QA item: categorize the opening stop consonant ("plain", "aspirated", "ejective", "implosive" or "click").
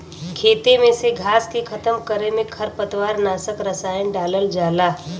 aspirated